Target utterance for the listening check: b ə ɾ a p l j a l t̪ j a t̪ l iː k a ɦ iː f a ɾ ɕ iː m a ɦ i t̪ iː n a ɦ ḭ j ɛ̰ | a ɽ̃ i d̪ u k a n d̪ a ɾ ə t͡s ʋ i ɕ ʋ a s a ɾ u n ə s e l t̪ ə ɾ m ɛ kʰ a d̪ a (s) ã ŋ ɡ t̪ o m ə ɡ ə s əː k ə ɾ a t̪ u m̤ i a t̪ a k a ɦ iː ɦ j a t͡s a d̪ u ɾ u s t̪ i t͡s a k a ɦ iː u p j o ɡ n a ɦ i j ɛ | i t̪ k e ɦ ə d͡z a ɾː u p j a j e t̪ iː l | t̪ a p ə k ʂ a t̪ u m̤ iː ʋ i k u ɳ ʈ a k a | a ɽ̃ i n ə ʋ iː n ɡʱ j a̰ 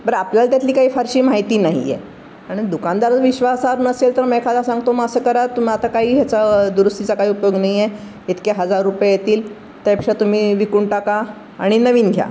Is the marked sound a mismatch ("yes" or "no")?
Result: no